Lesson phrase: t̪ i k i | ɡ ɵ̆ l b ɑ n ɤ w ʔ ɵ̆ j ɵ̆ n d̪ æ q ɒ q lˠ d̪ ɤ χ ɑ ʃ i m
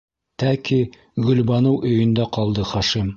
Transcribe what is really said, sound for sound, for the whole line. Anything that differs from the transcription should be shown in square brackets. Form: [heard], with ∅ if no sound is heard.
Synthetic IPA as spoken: t̪ [æ] k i | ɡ ɵ̆ l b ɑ n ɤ w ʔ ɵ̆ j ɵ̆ n d̪ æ q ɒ [∅] lˠ d̪ ɤ χ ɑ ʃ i m